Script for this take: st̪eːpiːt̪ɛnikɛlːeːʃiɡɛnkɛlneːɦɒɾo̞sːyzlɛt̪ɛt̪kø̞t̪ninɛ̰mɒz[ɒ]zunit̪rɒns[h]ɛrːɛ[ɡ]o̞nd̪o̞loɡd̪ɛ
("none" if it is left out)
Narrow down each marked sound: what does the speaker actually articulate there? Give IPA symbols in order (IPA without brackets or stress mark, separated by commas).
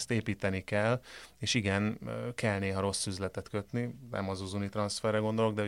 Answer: u, f, ɡ